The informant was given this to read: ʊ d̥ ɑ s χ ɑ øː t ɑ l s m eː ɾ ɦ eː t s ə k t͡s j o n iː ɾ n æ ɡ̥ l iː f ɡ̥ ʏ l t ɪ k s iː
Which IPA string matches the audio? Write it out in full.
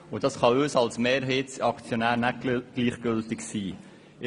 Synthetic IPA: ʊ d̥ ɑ s χ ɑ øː s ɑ l s m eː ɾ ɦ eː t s ɑ k t͡s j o n æː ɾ n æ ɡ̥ l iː χ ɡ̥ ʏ l t ɪ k s iː